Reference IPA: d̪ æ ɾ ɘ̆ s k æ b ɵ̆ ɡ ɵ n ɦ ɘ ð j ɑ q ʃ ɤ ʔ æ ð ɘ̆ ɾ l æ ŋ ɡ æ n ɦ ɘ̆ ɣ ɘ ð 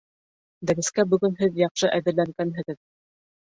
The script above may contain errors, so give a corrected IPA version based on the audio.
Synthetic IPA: d̪ æ ɾ ɘ̆ s k æ b ɵ̆ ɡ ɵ n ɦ ɘ ð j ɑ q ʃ ɤ ʔ æ ð ɘ̆ ɾ l æ ŋ ɡ æ n ɦ ɘ̆ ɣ ɘ ð